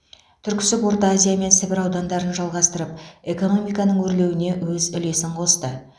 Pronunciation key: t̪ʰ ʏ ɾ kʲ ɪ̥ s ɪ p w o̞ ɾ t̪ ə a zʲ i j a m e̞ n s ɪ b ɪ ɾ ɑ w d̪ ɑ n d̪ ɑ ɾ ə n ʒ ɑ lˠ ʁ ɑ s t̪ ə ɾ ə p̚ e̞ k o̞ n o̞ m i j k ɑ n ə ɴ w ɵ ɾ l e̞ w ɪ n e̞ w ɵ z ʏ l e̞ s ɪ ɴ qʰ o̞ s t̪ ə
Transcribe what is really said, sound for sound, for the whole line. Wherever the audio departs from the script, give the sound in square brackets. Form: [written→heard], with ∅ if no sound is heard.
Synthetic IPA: t̪ʰ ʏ ɾ kʲ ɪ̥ s ɪ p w o̞ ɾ t̪ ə a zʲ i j a m e̞ n s ɪ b ɪ ɾ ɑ w d̪ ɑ n d̪ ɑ ɾ ə n ʒ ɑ lˠ ʁ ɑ s t̪ ə ɾ ə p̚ e̞ k o̞ n o̞ m i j k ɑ n ə ɴ w ɵ ɾ l e̞ w ɪ n e̞ w ɵ z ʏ l e̞ s ɪ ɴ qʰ o̞ s t̪ ə